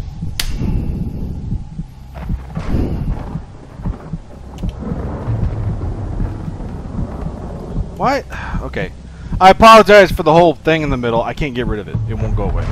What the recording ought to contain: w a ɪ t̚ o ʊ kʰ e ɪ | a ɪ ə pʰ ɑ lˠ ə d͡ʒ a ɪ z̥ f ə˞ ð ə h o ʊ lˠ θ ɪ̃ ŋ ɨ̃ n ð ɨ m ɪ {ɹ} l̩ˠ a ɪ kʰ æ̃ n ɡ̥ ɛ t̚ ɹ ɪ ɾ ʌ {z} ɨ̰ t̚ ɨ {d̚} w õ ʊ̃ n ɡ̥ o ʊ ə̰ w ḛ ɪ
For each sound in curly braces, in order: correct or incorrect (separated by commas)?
incorrect, incorrect, incorrect